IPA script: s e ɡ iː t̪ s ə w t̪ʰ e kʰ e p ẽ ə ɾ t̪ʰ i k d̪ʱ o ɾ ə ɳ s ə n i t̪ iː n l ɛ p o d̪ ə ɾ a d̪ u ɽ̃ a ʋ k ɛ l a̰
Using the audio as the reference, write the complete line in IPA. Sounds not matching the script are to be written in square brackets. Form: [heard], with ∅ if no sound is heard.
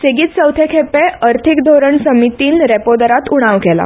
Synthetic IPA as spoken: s e ɡ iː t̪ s ə w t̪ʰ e kʰ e p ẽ ə ɾ t̪ʰ i k d̪ʱ o ɾ ə ɳ s ə [m] i t̪ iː n [ɾ] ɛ p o d̪ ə ɾ a [t̪] u ɽ̃ a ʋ k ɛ l a̰